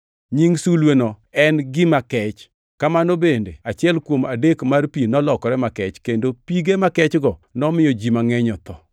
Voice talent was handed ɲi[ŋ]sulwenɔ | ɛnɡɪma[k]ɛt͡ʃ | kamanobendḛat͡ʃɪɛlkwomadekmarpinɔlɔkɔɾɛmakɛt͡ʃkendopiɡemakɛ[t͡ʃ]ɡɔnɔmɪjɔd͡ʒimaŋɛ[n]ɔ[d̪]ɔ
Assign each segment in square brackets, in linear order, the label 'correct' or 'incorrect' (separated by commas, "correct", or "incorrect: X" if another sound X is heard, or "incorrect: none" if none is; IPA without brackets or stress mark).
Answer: correct, correct, correct, incorrect: ɲ, incorrect: t̪